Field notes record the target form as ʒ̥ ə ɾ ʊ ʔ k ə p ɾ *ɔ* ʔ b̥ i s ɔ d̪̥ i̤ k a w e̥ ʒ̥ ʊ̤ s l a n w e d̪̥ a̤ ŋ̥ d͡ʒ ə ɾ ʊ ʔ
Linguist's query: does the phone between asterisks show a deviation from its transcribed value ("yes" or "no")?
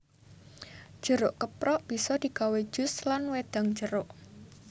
no